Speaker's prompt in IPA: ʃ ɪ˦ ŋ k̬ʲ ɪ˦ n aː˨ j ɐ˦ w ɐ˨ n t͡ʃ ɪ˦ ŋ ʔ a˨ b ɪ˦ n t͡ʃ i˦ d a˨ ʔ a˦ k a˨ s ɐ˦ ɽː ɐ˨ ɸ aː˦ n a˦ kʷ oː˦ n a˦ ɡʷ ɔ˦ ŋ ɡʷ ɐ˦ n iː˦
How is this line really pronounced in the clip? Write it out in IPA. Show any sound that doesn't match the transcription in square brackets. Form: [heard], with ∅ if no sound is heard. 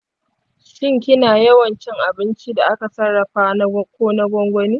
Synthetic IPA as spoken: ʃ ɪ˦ ŋ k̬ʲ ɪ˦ n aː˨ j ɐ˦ w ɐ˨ n t͡ʃ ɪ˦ ŋ ʔ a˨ b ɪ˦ n t͡ʃ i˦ d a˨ ʔ a˦ k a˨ s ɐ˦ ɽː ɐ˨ ɸ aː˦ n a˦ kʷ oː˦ n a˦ ɡʷ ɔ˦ ŋ ɡʷ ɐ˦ n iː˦